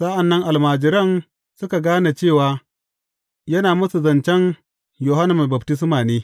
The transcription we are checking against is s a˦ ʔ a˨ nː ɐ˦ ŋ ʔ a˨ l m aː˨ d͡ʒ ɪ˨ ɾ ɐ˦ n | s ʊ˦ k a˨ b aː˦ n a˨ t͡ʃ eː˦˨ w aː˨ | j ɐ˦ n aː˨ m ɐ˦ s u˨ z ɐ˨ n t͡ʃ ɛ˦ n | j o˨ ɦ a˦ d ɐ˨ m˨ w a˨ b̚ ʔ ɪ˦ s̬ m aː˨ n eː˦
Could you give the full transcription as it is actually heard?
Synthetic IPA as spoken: s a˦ ʔ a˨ nː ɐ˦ ŋ ʔ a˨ l m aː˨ d͡ʒ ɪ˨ ɾ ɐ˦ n | s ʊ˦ k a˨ ɡ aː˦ n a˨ t͡ʃ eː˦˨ w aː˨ | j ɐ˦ n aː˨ m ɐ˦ s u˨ z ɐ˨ n t͡ʃ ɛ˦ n | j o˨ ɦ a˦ n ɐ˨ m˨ b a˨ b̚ t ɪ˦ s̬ m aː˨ n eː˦